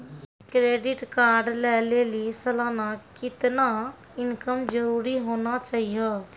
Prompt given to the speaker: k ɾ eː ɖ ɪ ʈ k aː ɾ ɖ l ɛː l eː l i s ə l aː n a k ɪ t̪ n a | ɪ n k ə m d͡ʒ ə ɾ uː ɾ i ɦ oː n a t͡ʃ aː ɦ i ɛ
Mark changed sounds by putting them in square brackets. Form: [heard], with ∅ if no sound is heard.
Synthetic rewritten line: k ɾ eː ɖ ɪ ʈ k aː ɾ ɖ l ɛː l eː l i s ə l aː n a k ɪ t̪ n a | ɪ n k ə m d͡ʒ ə ɾ uː ɾ i ɦ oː n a t͡ʃ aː ɦ i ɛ